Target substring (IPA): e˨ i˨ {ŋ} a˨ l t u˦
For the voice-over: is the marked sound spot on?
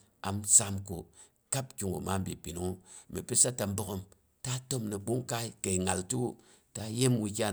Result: yes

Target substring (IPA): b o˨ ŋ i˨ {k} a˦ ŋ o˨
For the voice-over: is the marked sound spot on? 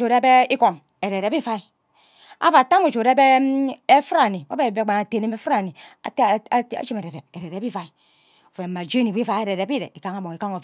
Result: yes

